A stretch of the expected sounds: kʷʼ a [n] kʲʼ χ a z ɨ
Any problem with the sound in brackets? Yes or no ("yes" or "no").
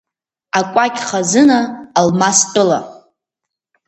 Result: yes